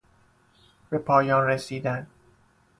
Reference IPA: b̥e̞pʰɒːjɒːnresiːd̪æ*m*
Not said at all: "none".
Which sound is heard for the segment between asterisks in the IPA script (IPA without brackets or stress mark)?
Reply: n